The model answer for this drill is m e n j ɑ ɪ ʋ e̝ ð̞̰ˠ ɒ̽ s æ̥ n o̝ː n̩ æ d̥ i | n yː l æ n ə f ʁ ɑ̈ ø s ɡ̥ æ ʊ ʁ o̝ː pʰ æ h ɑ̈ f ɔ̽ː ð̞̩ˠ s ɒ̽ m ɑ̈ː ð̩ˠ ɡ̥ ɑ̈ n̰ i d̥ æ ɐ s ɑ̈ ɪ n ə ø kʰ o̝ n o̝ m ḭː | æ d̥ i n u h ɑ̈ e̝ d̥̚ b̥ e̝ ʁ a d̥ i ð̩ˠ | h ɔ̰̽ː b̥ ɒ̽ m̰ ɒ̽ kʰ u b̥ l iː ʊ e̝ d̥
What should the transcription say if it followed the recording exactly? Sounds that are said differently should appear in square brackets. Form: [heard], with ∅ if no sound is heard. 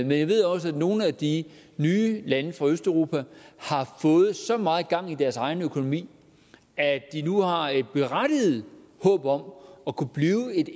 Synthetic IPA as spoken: m e n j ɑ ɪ ʋ e̝ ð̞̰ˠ ɒ̽ s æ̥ n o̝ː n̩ æ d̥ i | n yː l æ n ə f ʁ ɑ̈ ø s [d̥] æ ʊ ʁ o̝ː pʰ æ h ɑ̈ f ɔ̽ː ð̞̩ˠ s ɒ̽ m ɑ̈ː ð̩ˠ ɡ̥ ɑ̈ [ŋ̰] i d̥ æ ɐ s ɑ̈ ɪ n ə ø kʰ o̝ n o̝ m ḭː | æ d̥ i n u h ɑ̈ e̝ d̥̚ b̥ e̝ ʁ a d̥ i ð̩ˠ | h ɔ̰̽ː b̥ ɒ̽ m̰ ɒ̽ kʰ u b̥ l iː ʊ e̝ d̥